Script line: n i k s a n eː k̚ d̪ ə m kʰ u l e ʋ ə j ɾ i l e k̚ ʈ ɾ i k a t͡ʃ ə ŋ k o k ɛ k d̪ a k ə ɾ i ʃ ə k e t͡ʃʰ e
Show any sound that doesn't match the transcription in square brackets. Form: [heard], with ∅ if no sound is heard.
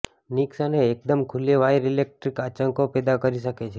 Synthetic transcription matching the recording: n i k s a n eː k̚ d̪ ə m kʰ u l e ʋ [a] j ɾ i l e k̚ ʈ ɾ i k a t͡ʃ ə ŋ k o [p] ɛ [∅] d̪ a k ə ɾ i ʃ ə k e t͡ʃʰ e